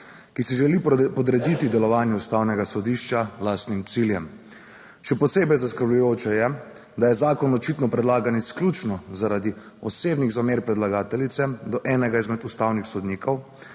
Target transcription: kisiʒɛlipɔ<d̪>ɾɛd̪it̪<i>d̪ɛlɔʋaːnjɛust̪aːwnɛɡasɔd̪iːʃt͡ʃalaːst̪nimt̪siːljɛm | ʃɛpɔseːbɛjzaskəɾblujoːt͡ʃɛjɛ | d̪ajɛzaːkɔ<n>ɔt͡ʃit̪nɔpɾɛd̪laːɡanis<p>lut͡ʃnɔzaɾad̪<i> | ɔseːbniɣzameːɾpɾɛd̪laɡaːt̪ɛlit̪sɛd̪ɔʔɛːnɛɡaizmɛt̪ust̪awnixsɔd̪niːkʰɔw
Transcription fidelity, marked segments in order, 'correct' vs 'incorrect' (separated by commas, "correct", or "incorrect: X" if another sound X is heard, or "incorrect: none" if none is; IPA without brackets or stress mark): correct, correct, correct, incorrect: k, correct